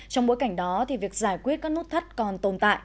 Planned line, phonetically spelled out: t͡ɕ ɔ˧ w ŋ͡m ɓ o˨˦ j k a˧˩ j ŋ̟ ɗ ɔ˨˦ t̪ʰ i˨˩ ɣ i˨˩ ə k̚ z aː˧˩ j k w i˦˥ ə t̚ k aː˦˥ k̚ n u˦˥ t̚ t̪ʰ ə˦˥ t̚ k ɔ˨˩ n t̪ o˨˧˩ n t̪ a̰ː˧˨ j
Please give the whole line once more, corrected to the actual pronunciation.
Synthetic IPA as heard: t͡ɕ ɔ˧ w ŋ͡m ɓ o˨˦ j k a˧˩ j ŋ̟ ɗ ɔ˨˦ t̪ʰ i˨˩ v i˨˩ ə k̚ z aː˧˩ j k w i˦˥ ə t̚ k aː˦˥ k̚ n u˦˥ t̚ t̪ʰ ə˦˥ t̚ k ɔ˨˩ n t̪ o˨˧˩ n t̪ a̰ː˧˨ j